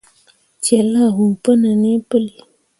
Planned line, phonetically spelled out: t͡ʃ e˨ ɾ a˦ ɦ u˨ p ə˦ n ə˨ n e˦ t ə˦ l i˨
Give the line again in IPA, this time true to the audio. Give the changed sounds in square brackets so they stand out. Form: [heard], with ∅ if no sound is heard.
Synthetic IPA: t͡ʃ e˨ [l] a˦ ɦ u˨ p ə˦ n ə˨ n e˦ [p] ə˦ l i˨